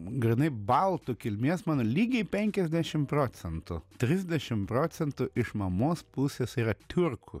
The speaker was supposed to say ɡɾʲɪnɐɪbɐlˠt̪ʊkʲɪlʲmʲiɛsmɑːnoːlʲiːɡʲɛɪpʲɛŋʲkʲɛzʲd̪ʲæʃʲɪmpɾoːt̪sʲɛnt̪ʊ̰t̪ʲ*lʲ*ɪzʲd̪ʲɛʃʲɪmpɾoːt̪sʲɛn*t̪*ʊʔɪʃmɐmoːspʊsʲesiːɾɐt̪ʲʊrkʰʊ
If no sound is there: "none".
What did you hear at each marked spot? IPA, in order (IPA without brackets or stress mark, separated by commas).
ɾʲ, t̪